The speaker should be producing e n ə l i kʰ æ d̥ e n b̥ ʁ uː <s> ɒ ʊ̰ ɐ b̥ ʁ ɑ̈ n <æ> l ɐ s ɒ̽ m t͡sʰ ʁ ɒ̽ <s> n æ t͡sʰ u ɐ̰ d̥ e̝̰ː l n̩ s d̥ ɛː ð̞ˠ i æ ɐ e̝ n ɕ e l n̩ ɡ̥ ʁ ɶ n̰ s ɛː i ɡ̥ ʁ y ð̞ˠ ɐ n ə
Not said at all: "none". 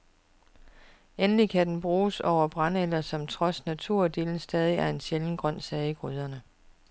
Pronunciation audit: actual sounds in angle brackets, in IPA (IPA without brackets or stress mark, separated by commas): s, e, s